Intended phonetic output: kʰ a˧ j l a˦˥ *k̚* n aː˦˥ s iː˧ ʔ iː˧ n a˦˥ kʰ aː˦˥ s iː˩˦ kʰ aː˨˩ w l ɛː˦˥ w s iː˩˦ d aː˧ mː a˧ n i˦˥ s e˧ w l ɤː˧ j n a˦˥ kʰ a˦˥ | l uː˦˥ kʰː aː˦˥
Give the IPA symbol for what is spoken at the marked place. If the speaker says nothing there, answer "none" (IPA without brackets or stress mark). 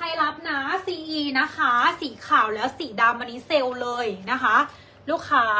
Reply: p̚